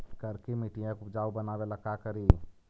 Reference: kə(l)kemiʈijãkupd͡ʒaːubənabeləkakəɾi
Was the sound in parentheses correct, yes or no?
no